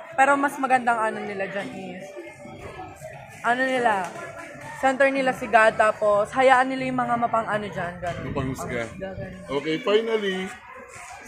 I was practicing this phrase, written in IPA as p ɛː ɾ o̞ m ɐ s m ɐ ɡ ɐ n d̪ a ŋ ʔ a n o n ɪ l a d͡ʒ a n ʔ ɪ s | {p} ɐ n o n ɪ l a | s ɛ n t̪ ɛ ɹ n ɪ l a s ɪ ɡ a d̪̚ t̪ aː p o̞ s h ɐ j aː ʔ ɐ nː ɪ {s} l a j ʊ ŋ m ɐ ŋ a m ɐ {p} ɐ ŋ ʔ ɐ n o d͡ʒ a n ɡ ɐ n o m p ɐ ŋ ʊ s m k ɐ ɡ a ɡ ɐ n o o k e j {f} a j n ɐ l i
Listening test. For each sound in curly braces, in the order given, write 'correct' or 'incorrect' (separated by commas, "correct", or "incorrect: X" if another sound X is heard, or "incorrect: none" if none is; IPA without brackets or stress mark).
incorrect: ʔ, incorrect: none, correct, correct